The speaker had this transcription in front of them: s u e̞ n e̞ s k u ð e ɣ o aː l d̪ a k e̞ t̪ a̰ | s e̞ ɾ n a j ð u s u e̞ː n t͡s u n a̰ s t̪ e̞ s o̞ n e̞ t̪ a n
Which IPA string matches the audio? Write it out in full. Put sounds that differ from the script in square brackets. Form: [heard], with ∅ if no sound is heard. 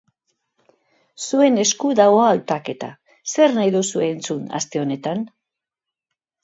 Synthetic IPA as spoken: s u e̞ n e̞ s k u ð [a] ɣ o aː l [t̪] a k e̞ t̪ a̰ | s e̞ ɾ n a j ð u s u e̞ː n t͡s u n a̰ s t̪ e̞ [∅] o̞ n e̞ t̪ a n